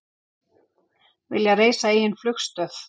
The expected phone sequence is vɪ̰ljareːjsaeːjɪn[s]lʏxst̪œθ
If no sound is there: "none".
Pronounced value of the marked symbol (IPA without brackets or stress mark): f